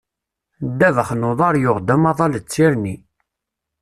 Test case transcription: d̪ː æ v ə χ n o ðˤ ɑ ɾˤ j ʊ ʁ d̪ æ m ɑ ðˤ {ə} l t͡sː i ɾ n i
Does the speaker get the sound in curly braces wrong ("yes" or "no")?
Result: yes